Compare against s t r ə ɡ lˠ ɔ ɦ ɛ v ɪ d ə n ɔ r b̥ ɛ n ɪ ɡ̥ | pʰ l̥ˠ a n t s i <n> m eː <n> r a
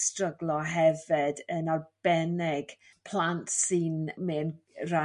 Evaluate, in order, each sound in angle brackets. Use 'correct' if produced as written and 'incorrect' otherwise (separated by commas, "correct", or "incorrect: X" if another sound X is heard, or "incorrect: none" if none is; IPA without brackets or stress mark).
correct, correct